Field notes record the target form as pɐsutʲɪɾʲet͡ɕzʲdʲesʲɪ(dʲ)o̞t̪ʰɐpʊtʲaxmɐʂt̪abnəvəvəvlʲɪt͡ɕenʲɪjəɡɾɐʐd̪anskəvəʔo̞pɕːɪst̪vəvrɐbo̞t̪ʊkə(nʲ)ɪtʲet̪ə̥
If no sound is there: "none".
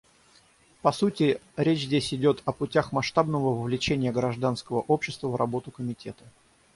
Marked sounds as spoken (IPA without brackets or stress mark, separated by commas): dʲ, mʲ